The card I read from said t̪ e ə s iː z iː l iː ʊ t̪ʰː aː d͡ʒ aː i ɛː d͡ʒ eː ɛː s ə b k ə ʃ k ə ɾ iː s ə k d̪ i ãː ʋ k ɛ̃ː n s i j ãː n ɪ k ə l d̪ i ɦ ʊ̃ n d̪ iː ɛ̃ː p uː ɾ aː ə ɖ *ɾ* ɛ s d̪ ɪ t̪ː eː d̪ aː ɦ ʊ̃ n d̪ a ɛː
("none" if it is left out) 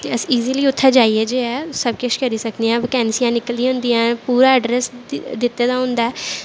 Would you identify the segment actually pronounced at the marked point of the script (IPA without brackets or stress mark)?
ɾ